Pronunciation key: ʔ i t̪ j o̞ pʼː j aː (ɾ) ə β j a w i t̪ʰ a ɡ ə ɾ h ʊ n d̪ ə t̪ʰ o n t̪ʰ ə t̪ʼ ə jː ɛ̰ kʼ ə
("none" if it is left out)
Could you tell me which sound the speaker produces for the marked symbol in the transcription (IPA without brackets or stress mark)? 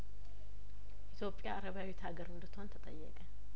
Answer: ɾ